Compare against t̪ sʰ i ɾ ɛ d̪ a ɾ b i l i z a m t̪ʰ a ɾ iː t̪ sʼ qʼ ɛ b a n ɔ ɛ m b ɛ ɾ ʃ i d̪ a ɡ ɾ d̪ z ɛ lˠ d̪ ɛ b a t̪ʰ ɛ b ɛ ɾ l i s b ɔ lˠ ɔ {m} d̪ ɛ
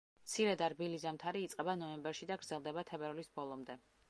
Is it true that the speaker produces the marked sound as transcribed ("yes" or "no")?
yes